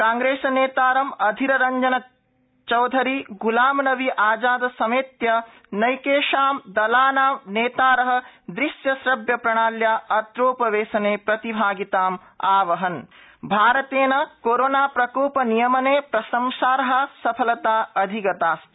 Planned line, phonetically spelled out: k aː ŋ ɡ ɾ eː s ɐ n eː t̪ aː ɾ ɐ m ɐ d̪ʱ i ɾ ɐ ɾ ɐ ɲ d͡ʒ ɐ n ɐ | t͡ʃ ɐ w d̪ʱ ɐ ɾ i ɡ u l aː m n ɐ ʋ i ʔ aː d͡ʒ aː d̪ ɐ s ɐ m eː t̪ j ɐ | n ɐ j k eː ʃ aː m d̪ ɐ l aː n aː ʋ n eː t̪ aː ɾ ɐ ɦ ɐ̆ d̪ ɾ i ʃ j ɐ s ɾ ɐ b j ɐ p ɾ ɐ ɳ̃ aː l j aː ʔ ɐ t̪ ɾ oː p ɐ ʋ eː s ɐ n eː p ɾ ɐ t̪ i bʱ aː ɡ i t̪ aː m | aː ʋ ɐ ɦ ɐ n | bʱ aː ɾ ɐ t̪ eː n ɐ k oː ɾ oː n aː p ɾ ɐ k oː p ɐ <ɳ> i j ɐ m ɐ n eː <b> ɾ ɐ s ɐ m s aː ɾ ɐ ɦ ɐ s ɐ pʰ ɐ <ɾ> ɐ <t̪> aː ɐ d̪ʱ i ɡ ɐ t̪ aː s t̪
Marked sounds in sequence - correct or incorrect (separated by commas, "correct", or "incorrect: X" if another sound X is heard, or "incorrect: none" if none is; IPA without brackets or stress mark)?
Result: incorrect: n, incorrect: p, incorrect: l, correct